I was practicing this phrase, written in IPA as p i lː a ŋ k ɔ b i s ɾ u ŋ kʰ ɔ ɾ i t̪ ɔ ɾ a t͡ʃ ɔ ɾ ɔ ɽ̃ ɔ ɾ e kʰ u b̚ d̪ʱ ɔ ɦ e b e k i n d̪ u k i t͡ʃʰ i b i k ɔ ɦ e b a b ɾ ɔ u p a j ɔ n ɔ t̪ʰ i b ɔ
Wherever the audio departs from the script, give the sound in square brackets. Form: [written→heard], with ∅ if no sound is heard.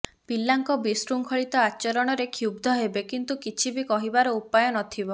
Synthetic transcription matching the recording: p i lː a ŋ k ɔ b i s ɾ u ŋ kʰ ɔ [ɾ→ɭ] i t̪ ɔ [ɾ→∅] a t͡ʃ ɔ ɾ ɔ ɽ̃ ɔ ɾ e kʰ u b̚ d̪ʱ ɔ ɦ e b e k i n [d̪→t̪] u k i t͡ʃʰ i b i k ɔ ɦ [e→i] b a [b→∅] ɾ ɔ u p a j ɔ n ɔ t̪ʰ i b ɔ